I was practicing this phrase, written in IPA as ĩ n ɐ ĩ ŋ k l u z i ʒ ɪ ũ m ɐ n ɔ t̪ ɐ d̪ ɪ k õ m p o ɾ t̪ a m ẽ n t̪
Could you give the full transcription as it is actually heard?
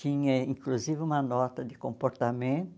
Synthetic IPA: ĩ ɲ ɐ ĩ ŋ k l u z i v ɪ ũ m ɐ n ɔ t̪ ɐ d̪ ɪ k õ m p o ɾ t̪ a m ẽ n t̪